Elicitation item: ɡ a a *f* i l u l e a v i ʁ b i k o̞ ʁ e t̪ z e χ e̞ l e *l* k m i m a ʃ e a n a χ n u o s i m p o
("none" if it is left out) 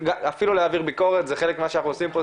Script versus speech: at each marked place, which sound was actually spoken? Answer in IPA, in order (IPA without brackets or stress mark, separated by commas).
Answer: f, none